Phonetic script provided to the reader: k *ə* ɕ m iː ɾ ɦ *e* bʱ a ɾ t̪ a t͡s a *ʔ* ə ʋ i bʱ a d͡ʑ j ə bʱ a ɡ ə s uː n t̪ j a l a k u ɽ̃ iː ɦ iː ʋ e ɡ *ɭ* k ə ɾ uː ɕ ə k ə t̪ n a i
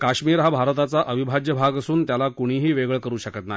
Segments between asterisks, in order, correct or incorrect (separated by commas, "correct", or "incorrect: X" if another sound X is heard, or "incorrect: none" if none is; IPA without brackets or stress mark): incorrect: a, incorrect: a, correct, correct